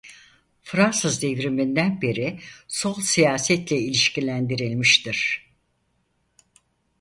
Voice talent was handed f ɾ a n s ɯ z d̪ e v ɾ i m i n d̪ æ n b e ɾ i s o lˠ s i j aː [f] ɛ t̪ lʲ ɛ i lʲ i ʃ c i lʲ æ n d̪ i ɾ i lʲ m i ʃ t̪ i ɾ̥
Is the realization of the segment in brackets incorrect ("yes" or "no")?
yes